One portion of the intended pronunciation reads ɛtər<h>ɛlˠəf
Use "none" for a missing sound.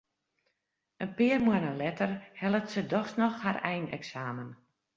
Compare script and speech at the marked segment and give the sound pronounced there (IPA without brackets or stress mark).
h